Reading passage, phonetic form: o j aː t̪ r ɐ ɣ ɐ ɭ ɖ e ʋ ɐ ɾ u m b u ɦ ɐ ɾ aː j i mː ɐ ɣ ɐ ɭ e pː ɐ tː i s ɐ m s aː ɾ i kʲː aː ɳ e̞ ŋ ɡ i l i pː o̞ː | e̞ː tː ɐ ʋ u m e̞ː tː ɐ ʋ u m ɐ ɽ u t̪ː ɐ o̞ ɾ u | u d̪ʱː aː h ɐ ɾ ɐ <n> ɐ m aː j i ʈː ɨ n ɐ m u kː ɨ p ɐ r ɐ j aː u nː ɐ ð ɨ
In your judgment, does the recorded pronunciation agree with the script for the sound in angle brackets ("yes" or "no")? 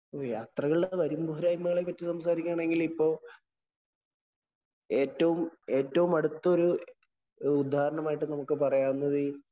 no